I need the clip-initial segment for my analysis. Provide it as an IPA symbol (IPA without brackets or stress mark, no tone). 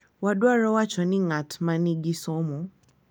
w